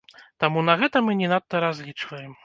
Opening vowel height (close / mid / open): open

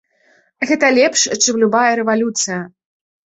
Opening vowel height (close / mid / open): mid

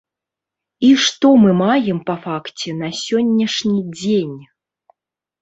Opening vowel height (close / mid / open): close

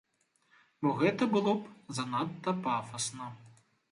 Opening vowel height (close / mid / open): mid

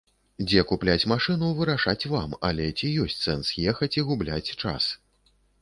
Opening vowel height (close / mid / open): mid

